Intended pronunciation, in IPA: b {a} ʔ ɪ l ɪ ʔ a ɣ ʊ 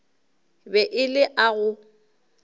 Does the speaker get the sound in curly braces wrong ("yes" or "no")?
yes